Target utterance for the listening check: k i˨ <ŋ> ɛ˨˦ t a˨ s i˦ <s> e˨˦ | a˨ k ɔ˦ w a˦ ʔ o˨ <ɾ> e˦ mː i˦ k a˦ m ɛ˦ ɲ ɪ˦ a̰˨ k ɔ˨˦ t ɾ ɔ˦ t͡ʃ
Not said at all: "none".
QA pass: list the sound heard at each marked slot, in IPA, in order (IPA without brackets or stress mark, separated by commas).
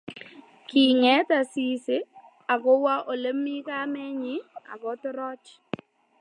ŋ, s, l